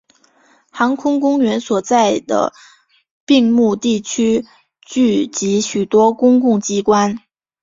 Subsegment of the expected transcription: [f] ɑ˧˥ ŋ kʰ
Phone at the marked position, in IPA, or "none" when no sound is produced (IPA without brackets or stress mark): x